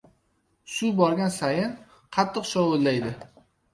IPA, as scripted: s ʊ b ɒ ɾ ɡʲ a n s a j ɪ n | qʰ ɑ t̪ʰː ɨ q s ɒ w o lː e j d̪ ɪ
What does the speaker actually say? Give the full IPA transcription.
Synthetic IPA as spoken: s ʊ b ɒ ɾ ɡʲ a n s a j ɪ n | qʰ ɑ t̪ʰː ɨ q ʃ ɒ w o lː a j d̪ ɪ